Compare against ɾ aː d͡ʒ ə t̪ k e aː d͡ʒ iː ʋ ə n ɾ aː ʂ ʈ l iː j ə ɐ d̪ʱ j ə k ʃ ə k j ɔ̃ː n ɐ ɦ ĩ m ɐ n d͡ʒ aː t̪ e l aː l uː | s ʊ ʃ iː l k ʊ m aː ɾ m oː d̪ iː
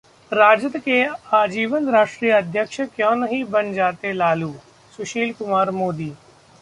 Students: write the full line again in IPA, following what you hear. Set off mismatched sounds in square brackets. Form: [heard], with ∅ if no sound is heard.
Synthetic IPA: ɾ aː d͡ʒ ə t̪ k e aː d͡ʒ iː ʋ ə n ɾ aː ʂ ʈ [ɾ] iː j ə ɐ d̪ʱ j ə k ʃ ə k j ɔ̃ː n ɐ ɦ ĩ [b] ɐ n d͡ʒ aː t̪ e l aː l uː | s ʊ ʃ iː l k ʊ m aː ɾ m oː d̪ iː